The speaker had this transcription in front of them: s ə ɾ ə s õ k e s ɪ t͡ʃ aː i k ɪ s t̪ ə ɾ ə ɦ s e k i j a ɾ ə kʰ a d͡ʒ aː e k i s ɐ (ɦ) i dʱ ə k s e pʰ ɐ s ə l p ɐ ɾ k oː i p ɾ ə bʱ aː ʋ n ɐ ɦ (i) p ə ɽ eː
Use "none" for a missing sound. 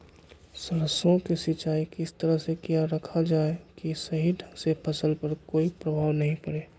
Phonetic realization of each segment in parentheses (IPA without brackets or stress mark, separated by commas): ɦ, ĩ